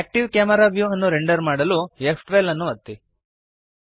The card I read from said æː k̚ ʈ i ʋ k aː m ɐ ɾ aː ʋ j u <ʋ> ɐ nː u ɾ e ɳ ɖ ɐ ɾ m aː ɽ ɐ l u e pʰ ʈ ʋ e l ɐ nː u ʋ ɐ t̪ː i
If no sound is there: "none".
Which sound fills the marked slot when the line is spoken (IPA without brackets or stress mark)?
none